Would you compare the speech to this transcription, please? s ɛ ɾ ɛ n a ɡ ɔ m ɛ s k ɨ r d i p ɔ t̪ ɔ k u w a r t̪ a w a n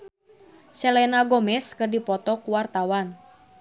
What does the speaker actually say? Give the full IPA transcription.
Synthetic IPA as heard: s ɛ l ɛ n a ɡ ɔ m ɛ s k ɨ r d i p ɔ t̪ ɔ k u w a r t̪ a w a n